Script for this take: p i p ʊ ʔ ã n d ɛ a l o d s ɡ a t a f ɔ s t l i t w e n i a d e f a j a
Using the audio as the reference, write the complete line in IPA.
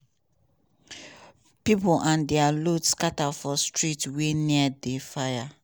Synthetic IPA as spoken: p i p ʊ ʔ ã n d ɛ a l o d s k a t a f ɔ s t ɹ i t w e n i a d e f a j a